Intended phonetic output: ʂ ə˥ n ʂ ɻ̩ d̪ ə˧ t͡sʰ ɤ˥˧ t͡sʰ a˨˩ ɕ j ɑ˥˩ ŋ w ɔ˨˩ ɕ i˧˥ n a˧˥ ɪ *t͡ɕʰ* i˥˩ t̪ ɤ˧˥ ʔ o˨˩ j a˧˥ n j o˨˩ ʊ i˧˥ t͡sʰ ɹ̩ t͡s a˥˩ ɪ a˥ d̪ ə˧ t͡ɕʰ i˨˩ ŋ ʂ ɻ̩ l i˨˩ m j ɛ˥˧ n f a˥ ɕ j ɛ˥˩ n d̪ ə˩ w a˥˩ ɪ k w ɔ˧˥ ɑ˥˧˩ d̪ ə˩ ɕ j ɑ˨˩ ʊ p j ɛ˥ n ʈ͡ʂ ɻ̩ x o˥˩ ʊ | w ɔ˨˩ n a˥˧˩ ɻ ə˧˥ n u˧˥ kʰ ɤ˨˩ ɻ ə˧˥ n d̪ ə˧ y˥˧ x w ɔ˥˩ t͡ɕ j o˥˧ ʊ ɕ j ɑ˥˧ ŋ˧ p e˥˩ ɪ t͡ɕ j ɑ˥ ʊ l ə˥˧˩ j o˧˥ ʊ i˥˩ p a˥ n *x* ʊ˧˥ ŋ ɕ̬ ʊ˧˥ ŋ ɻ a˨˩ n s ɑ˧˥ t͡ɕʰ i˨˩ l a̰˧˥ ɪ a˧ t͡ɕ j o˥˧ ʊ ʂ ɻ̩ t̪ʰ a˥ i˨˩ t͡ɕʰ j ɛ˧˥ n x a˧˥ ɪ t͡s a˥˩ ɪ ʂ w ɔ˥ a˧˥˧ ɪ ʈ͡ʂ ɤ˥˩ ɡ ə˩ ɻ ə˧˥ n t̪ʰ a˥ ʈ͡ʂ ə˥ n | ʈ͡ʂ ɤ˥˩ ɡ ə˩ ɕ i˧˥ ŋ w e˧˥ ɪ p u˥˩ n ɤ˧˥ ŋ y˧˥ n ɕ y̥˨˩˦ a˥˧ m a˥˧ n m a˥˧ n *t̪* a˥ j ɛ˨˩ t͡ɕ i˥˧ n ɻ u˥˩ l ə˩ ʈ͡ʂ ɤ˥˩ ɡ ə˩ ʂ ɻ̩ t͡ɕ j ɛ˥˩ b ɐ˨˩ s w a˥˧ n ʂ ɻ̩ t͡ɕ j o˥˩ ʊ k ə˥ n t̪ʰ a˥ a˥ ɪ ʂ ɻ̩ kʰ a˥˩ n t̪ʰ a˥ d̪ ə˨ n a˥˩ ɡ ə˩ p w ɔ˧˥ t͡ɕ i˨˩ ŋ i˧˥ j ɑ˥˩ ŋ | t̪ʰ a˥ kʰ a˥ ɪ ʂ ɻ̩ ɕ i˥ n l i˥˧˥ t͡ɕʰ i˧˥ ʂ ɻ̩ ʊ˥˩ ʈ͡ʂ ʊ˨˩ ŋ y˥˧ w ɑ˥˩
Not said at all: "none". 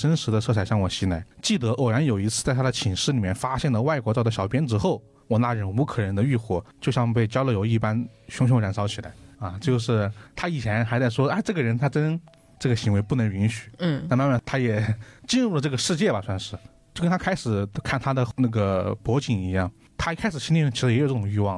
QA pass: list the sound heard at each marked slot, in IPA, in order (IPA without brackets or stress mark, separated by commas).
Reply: t͡ɕ, ɕ, t̪ʰ